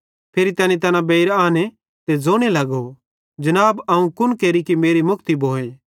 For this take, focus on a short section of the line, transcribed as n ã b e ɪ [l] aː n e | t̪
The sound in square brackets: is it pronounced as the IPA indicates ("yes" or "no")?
no